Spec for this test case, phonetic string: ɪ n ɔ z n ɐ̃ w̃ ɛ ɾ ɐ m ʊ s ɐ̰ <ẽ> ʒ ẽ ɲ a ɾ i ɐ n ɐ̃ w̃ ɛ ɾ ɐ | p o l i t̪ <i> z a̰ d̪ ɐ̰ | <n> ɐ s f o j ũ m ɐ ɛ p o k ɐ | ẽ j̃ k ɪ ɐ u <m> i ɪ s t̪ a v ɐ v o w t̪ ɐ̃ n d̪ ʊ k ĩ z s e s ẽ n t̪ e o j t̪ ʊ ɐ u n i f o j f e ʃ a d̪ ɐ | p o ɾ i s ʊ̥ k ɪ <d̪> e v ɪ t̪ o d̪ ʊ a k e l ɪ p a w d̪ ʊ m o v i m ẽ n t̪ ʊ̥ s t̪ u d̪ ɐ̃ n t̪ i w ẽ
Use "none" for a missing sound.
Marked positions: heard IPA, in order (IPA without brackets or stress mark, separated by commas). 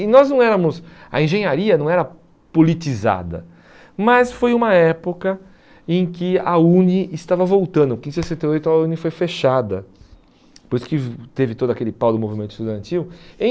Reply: ẽ, i, m, n, t̪